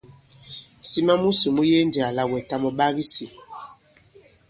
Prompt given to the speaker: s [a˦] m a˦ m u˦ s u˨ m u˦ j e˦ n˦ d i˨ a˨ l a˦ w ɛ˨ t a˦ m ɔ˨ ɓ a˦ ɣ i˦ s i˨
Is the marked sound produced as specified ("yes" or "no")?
no